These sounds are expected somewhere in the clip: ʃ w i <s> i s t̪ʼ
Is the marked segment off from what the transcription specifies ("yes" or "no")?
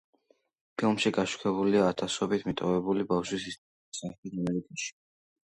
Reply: no